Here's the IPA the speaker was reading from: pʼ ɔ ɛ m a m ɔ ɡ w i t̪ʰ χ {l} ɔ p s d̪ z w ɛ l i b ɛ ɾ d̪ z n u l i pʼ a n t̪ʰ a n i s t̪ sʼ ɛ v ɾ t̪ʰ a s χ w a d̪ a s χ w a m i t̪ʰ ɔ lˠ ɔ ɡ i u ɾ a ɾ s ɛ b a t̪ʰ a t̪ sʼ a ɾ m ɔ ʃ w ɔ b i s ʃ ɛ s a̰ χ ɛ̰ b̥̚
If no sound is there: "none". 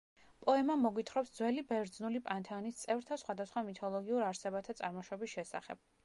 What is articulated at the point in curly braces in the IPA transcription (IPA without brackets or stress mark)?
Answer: ɾ